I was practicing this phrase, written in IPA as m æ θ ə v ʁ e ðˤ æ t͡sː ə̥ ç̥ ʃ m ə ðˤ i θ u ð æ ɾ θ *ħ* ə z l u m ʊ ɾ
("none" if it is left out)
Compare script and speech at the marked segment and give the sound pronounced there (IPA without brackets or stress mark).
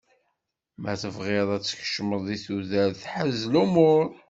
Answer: ħ